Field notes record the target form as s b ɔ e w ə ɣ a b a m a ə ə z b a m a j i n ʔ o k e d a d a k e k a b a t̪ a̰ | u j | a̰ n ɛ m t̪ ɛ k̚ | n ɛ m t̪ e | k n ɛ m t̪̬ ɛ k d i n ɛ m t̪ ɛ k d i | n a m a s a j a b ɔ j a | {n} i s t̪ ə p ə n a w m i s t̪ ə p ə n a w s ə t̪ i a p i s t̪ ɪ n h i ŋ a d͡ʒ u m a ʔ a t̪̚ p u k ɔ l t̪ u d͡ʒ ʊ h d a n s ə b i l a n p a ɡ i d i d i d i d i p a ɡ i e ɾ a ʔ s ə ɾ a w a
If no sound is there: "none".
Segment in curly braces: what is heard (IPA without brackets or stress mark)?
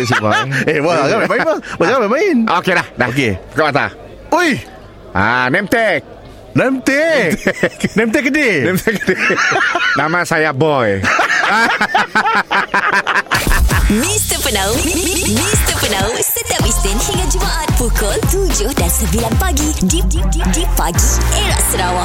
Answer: m